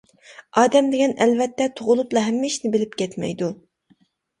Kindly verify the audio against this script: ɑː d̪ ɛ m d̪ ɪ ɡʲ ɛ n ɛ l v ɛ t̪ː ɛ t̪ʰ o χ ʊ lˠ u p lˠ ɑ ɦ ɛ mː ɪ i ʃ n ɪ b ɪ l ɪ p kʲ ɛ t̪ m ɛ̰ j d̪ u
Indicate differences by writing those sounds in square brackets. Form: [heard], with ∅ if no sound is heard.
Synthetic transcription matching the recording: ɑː d̪ ɛ m d̪ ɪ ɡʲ ɛ n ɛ l v ɛ t̪ː ɛ t̪ʰ o [ʁ] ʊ lˠ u p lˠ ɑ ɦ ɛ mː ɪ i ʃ n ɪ b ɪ l ɪ p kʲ ɛ t̪ m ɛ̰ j d̪ u